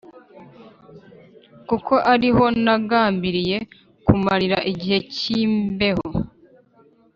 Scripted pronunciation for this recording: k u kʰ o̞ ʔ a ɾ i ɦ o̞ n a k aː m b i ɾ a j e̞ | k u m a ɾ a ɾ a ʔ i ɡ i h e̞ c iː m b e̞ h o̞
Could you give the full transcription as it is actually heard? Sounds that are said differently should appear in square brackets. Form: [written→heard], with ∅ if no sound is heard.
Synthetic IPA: k u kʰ o̞ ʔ a ɾ i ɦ o̞ n a [k→ɡ] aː m b i ɾ [a→i] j e̞ | k u m a ɾ [a→i] ɾ a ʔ i [ɡ→ɟ] i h e̞ c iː m b e̞ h o̞